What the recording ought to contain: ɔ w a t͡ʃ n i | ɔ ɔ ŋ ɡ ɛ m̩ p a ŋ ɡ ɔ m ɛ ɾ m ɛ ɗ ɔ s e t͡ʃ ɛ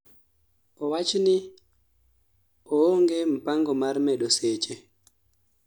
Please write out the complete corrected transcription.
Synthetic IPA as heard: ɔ w a t͡ʃ n i | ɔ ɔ ŋ ɡ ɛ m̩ p a ŋ ɡ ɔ m a ɾ m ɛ ɗ ɔ s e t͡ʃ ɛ